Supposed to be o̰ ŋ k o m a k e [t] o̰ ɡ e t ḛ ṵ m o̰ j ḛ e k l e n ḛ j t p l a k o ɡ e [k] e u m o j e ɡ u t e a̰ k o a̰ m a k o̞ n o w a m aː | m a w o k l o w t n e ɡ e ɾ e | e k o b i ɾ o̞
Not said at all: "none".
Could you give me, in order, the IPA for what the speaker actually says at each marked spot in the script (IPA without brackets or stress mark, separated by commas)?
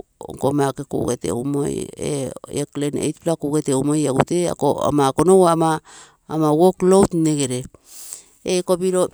k, t